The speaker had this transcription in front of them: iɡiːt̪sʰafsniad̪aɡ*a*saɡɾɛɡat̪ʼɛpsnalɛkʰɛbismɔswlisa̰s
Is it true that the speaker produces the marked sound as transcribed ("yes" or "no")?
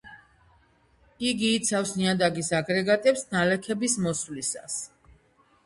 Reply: no